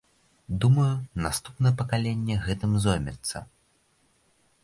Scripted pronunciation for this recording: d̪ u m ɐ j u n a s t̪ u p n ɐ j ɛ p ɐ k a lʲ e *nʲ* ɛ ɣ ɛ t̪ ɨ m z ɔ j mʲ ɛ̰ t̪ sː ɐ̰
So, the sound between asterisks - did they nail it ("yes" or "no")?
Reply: no